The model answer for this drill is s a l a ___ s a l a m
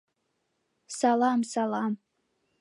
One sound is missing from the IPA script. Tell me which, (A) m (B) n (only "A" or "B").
A